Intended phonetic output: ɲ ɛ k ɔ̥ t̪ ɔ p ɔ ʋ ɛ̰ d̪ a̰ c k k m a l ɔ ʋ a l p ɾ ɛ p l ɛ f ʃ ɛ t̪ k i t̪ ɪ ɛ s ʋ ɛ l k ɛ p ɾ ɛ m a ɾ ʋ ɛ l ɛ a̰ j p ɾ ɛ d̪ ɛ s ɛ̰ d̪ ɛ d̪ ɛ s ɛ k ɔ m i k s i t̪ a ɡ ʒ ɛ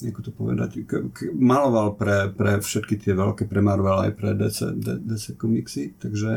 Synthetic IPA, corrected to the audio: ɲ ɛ k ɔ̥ t̪ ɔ p ɔ ʋ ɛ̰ d̪ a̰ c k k m a l ɔ ʋ a l p ɾ ɛ p ɾ ɛ f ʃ ɛ t̪ k i t̪ ɪ ɛ ʋ ɛ l k ɛ p ɾ ɛ m a ɾ ʋ ɛ l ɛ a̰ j p ɾ ɛ d̪ ɛ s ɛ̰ d̪ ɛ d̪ ɛ s ɛ k ɔ m i k s i t̪ a ɡ ʒ ɛ